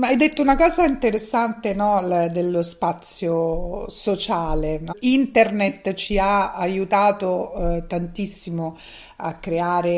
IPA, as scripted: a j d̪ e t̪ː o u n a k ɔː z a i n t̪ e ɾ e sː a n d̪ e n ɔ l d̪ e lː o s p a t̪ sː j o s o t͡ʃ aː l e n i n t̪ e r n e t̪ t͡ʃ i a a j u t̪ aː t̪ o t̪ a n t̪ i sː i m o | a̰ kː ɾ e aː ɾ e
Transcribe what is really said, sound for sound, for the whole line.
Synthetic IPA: a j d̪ e t̪ː o u n a k ɔː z a i n t̪ e ɾ e sː a n t̪ e n ɔ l d̪ e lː o s p a t̪ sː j o s o t͡ʃ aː l e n i n t̪ e r n e t̪ t͡ʃ i a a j u t̪ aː t̪ o t̪ a n t̪ i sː i m o | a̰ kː ɾ e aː ɾ e